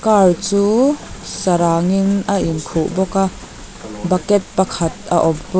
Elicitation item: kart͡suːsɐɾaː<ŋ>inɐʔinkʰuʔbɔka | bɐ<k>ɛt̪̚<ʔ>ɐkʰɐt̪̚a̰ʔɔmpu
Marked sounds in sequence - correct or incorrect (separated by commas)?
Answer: correct, correct, incorrect